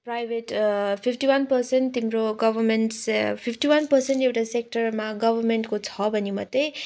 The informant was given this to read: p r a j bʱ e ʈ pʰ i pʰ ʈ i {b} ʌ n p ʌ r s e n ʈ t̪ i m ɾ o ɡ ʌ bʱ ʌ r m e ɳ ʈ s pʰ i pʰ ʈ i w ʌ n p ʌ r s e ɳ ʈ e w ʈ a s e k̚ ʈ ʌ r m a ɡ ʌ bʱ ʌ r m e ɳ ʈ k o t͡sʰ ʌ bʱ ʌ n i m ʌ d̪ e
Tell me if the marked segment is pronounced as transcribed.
no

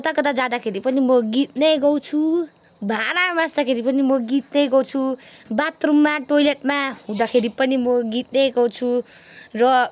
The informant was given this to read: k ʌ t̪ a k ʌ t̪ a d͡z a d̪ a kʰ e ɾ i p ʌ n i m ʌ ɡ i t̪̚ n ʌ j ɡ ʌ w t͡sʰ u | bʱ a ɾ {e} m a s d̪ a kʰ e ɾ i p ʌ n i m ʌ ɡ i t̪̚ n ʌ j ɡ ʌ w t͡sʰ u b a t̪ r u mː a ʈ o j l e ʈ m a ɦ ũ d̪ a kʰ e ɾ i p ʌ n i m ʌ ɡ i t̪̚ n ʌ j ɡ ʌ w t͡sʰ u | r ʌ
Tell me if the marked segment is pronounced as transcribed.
no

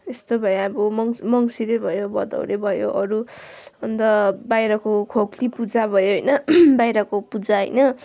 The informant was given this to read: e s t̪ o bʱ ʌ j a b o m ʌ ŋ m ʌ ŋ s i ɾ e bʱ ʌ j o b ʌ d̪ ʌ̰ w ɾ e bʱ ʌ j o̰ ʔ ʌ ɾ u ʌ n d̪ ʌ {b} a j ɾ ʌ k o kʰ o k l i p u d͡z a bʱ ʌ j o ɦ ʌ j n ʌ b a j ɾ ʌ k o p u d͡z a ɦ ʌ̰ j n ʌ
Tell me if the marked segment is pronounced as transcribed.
yes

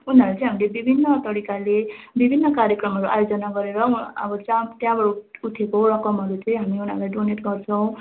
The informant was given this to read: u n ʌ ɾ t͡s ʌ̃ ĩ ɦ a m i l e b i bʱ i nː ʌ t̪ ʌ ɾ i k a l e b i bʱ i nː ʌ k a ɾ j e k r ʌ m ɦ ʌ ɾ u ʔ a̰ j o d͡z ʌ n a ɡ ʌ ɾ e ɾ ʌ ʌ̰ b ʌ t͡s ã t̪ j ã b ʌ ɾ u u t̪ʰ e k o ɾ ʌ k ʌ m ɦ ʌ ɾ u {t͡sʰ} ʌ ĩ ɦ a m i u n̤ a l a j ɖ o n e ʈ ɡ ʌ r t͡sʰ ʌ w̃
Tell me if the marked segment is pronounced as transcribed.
no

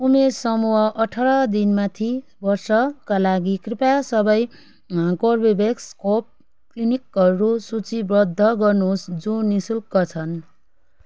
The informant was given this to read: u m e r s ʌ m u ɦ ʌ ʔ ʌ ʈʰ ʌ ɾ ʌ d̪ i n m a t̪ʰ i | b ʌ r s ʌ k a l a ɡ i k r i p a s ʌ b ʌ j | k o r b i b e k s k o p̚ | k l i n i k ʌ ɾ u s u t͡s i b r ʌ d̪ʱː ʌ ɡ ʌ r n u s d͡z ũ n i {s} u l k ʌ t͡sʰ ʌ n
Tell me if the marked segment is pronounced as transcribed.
yes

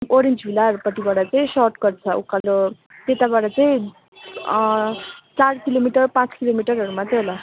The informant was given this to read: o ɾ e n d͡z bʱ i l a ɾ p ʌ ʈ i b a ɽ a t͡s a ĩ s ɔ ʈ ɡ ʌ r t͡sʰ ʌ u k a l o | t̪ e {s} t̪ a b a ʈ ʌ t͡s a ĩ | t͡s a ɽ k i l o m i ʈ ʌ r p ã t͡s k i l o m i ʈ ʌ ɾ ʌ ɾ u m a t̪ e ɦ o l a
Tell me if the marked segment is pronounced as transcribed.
no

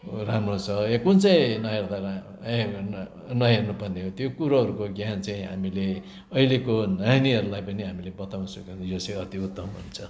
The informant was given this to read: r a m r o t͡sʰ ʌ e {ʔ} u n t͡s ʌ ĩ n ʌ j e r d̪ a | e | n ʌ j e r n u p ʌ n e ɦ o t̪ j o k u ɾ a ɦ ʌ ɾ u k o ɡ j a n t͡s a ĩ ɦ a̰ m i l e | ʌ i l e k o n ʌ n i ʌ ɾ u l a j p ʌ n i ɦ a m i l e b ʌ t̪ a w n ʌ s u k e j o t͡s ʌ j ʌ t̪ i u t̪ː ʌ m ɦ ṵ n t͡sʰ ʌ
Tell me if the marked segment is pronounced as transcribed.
no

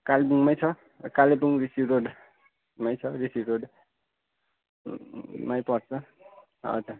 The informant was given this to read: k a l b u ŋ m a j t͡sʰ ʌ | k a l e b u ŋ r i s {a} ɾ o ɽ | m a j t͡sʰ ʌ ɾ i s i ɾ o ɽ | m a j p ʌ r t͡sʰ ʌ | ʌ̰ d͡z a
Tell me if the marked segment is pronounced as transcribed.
no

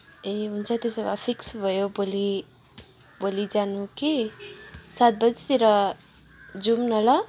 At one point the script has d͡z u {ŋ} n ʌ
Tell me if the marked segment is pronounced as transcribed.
no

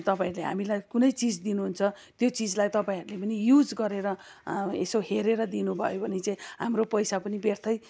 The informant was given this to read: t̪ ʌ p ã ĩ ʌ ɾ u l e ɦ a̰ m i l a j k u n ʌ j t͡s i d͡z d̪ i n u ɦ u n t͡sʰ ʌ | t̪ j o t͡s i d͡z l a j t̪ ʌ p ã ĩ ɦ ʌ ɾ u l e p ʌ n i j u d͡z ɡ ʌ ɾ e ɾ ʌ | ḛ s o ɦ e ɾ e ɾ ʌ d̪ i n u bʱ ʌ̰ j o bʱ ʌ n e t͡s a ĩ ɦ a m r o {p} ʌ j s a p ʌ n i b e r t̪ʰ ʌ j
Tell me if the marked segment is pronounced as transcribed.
yes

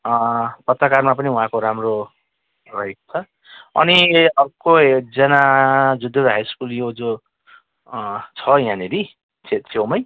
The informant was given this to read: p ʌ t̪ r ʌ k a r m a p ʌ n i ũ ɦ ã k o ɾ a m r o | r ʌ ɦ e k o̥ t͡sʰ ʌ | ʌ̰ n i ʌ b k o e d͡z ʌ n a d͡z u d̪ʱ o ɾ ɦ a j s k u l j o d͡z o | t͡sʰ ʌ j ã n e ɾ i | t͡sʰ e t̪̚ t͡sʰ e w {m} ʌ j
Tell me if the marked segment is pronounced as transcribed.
yes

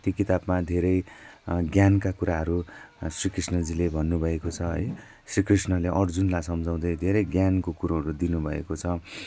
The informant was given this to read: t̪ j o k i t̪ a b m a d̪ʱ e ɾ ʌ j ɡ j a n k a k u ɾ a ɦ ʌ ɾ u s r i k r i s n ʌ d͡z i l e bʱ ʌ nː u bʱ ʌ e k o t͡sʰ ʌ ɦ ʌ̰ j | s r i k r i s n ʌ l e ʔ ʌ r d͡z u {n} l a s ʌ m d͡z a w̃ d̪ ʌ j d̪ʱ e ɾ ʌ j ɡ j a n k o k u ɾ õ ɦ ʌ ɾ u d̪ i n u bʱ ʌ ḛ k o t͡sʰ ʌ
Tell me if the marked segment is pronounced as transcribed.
yes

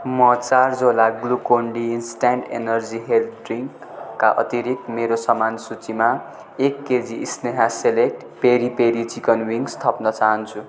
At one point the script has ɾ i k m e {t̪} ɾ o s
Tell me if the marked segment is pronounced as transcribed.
no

